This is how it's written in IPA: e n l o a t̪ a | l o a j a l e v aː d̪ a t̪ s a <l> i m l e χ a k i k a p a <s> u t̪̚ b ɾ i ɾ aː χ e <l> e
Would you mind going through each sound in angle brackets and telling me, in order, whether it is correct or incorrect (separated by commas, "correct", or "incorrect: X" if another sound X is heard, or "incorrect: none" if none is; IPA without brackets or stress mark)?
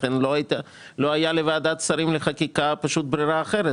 incorrect: ɾ, incorrect: ʃ, incorrect: ɾ